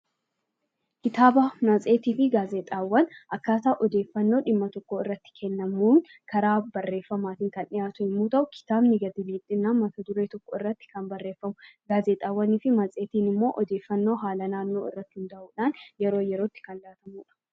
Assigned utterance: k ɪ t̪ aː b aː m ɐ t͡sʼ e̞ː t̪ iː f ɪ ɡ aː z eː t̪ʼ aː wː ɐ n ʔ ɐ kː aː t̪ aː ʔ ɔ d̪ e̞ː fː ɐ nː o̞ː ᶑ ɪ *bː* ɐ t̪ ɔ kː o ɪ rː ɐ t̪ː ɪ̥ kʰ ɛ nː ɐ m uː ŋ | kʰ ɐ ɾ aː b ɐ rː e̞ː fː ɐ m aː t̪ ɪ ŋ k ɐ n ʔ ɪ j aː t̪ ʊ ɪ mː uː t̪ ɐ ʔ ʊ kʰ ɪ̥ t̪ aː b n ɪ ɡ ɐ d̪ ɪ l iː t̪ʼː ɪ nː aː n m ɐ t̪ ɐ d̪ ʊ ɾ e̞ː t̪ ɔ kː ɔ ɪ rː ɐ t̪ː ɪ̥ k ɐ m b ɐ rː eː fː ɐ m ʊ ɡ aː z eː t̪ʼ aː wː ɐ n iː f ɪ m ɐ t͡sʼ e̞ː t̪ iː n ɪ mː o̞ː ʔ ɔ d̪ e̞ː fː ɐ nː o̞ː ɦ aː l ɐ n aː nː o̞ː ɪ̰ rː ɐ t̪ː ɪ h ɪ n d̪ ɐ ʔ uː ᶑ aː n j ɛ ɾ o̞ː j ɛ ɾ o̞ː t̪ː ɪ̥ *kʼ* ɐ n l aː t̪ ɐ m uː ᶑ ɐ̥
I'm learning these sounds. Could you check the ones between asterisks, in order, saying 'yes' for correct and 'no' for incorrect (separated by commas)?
no, no